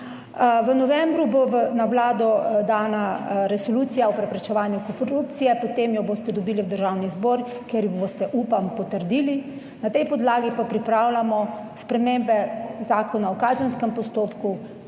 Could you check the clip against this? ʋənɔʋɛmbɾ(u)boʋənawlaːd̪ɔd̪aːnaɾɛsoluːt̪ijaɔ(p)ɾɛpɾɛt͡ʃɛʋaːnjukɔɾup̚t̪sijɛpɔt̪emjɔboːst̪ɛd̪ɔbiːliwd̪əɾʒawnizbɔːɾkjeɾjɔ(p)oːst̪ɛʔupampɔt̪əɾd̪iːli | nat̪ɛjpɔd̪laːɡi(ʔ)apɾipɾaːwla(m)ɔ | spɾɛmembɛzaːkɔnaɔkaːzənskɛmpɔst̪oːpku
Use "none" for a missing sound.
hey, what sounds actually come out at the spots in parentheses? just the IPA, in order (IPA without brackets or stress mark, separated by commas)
u, p, b, p, m